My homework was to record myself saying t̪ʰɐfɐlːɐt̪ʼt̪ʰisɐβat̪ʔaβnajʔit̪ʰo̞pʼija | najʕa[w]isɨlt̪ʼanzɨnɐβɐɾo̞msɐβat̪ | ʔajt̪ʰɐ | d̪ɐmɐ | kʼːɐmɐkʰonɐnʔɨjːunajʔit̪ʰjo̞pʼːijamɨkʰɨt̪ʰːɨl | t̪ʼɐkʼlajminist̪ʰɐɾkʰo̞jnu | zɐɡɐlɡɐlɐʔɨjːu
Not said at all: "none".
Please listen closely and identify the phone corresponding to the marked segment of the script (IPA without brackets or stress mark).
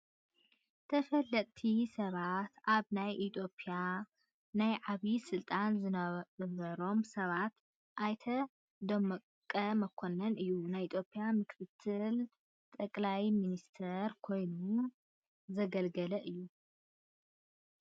β